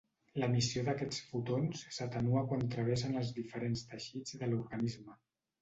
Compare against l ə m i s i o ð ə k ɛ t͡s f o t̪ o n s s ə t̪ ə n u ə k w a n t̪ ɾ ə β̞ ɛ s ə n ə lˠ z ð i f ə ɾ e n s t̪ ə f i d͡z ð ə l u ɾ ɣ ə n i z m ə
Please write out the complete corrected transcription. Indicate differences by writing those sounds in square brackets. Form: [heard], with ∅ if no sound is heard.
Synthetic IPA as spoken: l ə m i s i o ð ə k ɛ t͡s f [u] t̪ o n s s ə t̪ ə n u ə k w a n t̪ ɾ ə β̞ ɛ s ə n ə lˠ z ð i f ə ɾ e n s t̪ ə [ʃ] i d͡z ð ə l u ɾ ɣ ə n i z m ə